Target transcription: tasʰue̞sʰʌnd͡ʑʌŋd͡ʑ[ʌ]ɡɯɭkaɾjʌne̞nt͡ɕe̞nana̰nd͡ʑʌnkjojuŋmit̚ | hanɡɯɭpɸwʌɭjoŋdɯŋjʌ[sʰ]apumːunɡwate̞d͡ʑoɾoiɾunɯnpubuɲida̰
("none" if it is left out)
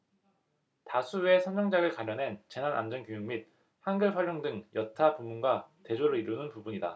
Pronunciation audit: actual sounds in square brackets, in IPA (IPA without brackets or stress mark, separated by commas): a, tʰ